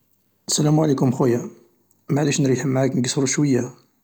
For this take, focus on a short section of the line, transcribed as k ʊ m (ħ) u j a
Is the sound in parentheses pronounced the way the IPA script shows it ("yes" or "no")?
no